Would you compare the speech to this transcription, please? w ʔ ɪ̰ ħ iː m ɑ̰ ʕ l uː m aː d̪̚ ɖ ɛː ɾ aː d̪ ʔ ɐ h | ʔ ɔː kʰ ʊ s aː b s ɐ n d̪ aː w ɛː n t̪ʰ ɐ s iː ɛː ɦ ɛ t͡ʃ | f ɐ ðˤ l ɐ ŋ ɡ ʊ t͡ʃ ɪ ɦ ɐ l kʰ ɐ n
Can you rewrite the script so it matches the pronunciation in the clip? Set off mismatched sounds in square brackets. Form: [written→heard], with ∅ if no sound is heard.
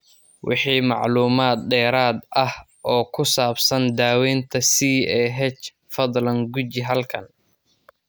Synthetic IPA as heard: w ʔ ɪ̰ ħ iː m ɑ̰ ʕ l uː m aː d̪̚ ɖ ɛː ɾ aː d̪ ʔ ɐ h | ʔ ɔː kʰ ʊ s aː b s ɐ n d̪ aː w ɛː n t̪ʰ ɐ s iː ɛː ɦ ɛ t͡ʃ | f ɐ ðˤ l ɐ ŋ ɡ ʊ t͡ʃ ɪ ɦ ɐ l kʰ ɐ n